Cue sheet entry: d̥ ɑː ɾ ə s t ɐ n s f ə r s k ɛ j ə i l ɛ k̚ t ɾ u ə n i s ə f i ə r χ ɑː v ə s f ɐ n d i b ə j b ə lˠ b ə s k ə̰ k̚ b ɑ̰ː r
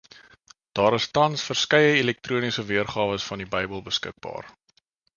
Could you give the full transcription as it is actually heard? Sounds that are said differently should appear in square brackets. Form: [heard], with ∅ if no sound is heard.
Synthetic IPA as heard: d̥ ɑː ɾ ə s t ɐ n s f ə r s k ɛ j ə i l ɛ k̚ t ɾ u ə n i s ə [v] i ə r χ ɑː v ə s f ɐ n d i b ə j b ə lˠ b ə s k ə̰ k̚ b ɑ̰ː r